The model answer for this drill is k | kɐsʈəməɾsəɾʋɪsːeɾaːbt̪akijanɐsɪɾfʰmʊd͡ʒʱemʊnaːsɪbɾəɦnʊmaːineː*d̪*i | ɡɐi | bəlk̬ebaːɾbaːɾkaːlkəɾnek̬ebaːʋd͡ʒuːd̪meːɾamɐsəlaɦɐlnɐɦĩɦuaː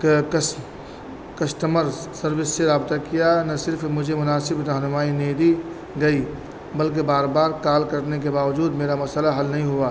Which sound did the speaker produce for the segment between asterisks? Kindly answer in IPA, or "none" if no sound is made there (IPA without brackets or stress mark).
d̪